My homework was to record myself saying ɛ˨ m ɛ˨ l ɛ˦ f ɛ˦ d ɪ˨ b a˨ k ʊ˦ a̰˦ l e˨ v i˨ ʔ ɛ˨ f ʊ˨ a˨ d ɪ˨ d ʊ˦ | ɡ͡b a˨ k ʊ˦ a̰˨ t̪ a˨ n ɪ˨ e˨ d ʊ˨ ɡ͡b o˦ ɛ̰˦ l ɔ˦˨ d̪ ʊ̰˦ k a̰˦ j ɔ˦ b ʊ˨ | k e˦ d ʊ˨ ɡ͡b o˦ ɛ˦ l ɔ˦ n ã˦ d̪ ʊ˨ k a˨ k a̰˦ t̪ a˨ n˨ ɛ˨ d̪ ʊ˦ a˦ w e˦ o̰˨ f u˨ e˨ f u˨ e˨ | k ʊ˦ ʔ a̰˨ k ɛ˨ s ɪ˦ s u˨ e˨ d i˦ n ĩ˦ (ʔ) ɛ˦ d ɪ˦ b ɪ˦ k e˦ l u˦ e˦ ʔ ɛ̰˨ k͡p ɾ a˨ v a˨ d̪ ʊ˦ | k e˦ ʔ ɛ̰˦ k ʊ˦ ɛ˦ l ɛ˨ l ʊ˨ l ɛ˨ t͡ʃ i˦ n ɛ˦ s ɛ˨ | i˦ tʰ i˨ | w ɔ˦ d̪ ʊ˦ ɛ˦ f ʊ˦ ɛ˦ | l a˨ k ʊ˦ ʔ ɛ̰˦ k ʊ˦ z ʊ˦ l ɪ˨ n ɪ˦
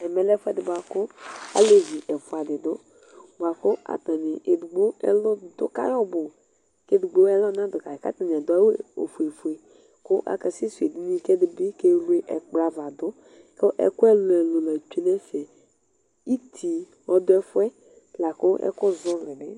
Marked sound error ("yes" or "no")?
yes